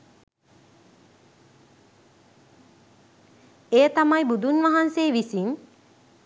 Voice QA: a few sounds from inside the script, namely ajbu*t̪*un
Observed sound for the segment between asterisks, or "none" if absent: d̪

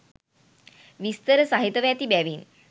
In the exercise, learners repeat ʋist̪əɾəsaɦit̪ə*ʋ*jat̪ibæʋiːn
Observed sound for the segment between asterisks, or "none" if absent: ʋ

